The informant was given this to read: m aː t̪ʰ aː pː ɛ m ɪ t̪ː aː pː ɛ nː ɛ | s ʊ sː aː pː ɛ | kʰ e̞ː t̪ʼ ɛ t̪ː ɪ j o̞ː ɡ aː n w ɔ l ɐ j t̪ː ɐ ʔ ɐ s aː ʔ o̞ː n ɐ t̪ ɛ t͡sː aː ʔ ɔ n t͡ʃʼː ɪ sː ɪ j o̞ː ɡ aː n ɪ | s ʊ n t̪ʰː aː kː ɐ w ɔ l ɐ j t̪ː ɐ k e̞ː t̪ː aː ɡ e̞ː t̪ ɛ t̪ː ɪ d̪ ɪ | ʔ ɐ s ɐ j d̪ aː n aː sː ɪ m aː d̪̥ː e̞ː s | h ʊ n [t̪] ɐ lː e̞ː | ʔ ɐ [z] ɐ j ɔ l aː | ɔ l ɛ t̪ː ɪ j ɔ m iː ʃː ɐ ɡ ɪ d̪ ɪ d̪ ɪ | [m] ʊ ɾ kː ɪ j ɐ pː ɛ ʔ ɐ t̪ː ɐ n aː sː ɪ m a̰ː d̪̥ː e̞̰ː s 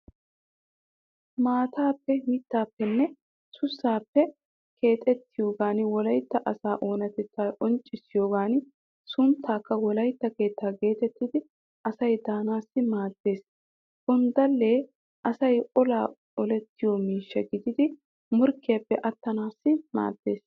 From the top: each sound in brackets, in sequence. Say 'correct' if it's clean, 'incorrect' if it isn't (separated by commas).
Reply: incorrect, incorrect, correct